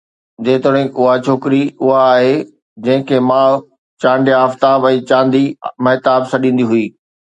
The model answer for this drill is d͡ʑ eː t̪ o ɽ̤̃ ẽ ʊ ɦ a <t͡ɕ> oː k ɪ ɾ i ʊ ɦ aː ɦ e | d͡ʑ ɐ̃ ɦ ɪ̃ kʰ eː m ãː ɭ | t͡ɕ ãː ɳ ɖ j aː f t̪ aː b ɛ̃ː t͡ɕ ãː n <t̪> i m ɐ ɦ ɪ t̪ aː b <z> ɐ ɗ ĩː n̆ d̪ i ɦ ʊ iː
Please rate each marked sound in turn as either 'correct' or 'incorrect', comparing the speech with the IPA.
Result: incorrect: t͡ɕʰ, incorrect: d̪, incorrect: s

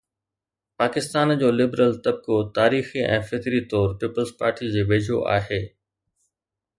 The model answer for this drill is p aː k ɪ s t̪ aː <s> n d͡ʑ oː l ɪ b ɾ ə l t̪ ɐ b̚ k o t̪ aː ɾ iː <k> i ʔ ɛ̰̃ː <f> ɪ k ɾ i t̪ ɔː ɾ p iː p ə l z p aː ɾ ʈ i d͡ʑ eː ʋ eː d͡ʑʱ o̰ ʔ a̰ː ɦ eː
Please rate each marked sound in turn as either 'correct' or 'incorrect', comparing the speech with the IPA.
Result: incorrect: none, incorrect: x, correct

